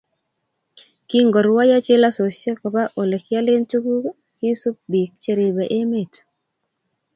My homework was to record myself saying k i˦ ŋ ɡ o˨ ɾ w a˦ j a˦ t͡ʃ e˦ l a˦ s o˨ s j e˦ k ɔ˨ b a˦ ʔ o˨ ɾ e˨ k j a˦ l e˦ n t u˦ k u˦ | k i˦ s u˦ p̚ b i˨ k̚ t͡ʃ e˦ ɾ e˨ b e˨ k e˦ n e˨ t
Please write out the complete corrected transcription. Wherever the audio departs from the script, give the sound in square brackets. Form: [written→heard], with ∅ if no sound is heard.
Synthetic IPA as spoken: k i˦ ŋ ɡ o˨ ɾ w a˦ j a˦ t͡ʃ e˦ l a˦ s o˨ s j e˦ k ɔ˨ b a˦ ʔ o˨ [ɾ→l] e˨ k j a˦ l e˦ n t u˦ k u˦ | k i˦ s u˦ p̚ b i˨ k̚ t͡ʃ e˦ ɾ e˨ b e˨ [k→ʔ] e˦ [n→m] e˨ t